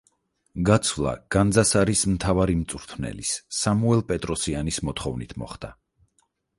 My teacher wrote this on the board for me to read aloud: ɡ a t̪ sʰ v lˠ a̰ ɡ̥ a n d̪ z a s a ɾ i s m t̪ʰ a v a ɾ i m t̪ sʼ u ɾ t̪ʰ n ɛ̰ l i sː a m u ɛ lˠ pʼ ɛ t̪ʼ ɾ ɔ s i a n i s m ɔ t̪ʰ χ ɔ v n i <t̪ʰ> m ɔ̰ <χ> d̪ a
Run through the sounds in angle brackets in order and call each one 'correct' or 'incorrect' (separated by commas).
correct, correct